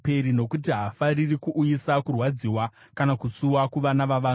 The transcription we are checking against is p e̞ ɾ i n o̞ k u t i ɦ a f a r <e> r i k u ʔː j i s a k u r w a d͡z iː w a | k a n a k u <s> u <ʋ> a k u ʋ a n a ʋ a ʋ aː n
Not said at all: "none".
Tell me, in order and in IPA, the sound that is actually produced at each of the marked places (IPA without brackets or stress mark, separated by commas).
i, s, w